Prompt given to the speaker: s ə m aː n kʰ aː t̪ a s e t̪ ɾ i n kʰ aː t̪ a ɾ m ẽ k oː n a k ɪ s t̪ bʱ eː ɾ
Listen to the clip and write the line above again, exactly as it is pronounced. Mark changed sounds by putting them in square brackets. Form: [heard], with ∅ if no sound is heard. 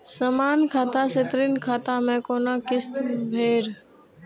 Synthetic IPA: s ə m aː n kʰ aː t̪ a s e t̪ ɾ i n kʰ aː t̪ a [∅] m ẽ k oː n a k ɪ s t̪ bʱ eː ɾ